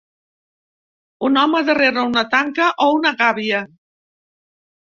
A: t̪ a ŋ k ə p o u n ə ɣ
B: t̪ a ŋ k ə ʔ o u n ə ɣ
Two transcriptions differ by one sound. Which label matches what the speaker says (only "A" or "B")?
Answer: B